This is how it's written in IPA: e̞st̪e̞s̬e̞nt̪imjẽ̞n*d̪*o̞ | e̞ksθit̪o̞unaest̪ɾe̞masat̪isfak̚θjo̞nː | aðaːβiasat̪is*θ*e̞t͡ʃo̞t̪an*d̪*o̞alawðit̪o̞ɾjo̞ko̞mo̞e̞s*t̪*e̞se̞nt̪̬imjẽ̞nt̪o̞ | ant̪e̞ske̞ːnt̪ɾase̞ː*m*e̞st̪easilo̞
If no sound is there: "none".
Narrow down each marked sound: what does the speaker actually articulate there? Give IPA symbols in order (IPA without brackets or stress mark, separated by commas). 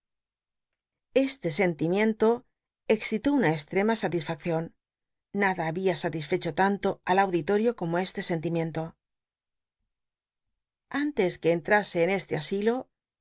t̪, f, t̪, t̪, n